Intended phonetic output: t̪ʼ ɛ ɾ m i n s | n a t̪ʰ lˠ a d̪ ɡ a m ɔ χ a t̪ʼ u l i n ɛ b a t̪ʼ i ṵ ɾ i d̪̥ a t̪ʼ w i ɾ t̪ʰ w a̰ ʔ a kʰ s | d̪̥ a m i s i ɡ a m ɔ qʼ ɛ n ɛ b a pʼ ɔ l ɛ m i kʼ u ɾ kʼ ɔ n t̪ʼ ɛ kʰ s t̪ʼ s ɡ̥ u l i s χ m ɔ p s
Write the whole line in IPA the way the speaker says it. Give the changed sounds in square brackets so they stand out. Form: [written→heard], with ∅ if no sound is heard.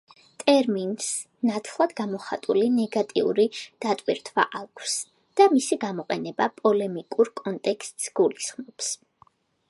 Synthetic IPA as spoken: t̪ʼ ɛ ɾ m i n s | n a t̪ʰ lˠ a d̪ ɡ a m ɔ χ a t̪ʼ u l i n ɛ [b→ɡ] a t̪ʼ i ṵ ɾ i d̪̥ a t̪ʼ w i ɾ t̪ʰ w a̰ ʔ a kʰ s | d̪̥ a m i s i ɡ a m ɔ qʼ ɛ n ɛ b a pʼ ɔ l ɛ m i kʼ u ɾ kʼ ɔ n t̪ʼ ɛ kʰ s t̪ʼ s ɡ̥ u l i s χ m ɔ p s